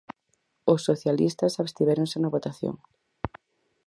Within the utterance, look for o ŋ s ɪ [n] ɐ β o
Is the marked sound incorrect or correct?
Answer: correct